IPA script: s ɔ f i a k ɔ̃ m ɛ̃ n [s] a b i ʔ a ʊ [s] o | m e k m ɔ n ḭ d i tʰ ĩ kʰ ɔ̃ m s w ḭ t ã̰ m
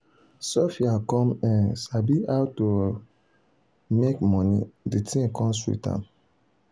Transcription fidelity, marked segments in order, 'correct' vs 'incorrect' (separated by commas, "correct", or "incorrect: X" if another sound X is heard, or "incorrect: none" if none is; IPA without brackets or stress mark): correct, incorrect: t